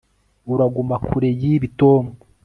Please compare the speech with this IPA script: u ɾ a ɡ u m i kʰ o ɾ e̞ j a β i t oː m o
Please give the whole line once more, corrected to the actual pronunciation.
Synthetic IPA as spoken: u ɾ a ɡ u m a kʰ u ɾ e̞ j i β i t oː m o